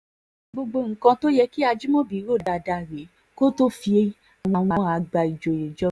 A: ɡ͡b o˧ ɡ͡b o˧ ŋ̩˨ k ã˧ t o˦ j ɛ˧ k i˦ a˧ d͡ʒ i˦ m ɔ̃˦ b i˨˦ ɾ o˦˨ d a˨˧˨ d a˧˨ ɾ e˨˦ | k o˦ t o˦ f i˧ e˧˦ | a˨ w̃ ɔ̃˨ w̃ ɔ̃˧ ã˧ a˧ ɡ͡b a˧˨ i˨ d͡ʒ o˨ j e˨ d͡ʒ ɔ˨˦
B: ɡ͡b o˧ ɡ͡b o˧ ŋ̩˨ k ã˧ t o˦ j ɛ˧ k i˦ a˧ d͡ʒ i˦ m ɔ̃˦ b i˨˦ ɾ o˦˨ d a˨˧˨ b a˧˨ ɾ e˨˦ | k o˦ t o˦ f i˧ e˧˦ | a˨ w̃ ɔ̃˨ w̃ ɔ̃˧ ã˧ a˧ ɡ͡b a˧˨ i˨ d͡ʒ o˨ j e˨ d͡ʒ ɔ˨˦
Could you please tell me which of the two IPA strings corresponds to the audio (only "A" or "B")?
A